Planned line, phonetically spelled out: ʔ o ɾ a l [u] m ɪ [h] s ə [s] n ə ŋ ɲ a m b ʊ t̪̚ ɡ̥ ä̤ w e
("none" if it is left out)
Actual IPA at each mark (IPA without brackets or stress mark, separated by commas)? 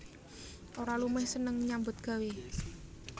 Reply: u, h, none